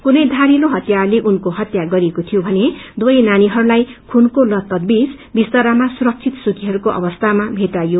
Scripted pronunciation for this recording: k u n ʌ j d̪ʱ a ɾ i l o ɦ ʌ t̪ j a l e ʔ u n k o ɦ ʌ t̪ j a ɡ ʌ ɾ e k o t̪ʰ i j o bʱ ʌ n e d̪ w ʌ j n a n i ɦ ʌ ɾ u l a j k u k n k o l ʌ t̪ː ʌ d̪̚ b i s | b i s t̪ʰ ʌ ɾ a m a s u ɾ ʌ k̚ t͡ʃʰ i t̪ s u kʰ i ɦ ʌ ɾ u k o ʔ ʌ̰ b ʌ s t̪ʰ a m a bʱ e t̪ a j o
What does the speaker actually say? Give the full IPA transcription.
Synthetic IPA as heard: k u n ʌ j d̪ʱ a ɾ i l o ɦ ʌ t̪ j a l e ʔ u n k o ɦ ʌ t̪ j a ɡ ʌ ɾ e k o t̪ʰ i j o bʱ ʌ n e d̪ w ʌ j n a n i ɦ ʌ ɾ u l a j kʰ u n k o l ʌ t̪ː ʌ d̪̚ b i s | b i s t̪ ʌ ɾ a m a s u ɾ ʌ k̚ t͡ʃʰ i t̪ s u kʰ i ɦ ʌ ɾ u k o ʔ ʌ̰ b ʌ s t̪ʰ a m a bʱ e t̪ a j o